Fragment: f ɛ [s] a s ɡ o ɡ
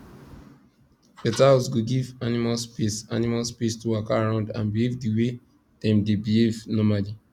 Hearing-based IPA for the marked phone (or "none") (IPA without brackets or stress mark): t